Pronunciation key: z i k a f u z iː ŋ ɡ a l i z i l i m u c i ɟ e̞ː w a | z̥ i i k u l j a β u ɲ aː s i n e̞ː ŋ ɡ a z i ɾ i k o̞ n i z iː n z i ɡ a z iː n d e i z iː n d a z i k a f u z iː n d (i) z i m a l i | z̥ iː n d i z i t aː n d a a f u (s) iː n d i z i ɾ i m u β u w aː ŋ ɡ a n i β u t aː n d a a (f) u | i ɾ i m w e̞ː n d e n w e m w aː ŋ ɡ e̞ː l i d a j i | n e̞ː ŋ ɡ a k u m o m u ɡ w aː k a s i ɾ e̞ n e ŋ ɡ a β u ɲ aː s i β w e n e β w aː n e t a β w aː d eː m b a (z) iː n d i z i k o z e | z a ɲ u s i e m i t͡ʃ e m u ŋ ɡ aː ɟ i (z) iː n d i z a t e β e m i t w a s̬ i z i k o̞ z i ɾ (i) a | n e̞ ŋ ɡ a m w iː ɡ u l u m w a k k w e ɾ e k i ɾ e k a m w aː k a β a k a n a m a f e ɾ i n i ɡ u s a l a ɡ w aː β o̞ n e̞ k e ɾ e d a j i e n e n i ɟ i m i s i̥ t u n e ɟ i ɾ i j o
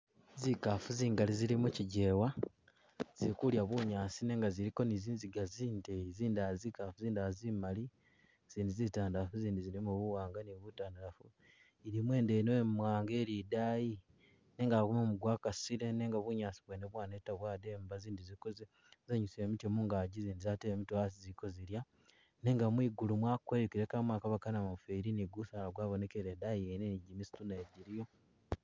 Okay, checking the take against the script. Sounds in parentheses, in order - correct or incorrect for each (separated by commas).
incorrect, incorrect, correct, correct, correct, incorrect